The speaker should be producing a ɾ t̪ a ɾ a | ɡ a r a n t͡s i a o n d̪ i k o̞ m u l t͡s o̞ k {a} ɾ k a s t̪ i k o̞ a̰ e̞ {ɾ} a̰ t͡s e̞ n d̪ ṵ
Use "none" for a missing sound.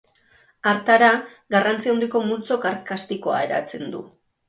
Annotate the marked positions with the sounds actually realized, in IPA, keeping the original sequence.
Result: a, ɾ

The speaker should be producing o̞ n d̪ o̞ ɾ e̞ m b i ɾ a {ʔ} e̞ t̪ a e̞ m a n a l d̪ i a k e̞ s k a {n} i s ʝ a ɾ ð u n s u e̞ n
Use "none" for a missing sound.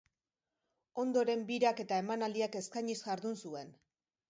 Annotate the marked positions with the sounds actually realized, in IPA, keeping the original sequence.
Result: k, ɲ

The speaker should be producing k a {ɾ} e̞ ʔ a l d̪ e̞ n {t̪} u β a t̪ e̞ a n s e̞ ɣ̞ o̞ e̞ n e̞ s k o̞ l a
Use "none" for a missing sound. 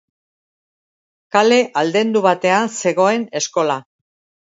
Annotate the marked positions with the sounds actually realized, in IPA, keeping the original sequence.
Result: l, d̪

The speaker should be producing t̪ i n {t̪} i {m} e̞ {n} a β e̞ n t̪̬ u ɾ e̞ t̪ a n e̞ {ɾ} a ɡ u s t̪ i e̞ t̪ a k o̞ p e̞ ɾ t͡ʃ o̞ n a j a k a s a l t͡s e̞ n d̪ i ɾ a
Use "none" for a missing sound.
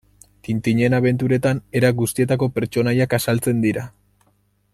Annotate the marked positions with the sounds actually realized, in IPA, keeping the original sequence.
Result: t̪, ɲ, n, ɾ

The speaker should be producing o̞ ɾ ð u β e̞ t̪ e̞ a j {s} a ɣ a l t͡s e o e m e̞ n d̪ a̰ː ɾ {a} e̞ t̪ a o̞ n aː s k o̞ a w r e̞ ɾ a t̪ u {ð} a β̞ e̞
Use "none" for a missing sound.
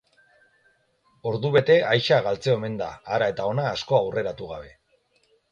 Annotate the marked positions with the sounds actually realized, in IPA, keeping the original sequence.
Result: ʃ, a, ɣ

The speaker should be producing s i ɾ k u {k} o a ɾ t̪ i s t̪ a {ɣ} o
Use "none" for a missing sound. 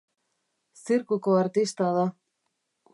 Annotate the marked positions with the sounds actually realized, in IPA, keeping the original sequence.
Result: k, ð

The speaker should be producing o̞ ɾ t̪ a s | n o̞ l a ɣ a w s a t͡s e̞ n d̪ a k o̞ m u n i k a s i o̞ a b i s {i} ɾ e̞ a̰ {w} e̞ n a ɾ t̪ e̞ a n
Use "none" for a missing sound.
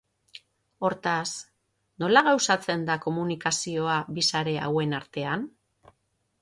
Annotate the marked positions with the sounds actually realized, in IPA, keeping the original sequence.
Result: a, w

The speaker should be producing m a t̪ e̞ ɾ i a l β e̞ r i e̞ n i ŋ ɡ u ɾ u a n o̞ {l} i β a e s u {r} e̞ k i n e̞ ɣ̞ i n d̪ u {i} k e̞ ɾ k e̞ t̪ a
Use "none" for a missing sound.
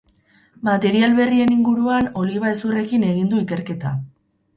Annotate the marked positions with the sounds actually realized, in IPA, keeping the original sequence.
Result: l, r, i

